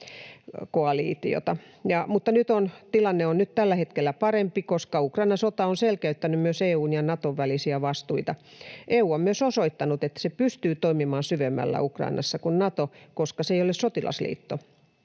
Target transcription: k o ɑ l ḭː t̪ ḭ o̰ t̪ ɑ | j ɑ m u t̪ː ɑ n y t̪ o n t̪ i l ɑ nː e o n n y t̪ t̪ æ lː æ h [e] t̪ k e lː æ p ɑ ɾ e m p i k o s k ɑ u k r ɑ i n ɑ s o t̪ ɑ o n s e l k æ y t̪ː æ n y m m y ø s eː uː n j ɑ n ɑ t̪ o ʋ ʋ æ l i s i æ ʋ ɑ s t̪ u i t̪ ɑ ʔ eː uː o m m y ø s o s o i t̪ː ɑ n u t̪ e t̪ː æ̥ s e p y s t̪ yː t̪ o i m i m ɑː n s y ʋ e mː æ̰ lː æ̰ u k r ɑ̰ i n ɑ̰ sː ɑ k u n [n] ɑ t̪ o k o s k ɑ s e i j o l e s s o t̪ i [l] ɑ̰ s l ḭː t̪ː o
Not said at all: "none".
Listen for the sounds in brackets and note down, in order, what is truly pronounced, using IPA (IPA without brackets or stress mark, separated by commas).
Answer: e, n, l